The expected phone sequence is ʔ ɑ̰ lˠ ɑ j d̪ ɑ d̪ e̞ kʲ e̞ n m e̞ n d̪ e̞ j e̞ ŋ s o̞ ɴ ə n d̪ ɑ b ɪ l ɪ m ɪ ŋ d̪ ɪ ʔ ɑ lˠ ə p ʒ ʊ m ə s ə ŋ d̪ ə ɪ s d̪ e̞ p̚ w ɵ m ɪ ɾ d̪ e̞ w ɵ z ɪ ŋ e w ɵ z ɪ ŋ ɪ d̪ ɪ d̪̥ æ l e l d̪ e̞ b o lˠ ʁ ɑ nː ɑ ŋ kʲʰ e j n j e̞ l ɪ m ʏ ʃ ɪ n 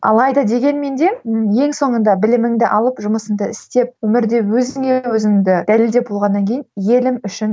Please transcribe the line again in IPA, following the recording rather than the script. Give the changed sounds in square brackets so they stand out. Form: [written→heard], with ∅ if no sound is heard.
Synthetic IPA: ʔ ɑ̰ lˠ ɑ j d̪ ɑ d̪ e̞ [kʲ→ɡʲ] e̞ n m e̞ n d̪ e̞ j e̞ ŋ s o̞ ɴ ə n d̪ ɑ b ɪ l ɪ m ɪ ŋ d̪ ɪ ʔ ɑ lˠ ə p ʒ ʊ m ə s ə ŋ d̪ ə ɪ s [d̪→t̪] e̞ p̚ w ɵ m ɪ ɾ d̪ e̞ w ɵ z ɪ ŋ e w ɵ z ɪ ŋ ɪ d̪ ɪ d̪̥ æ l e l d̪ e̞ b o lˠ ʁ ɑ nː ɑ ŋ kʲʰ e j n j e̞ l ɪ m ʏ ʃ ɪ n